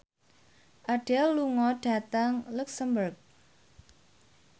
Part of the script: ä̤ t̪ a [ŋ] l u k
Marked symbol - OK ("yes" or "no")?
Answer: yes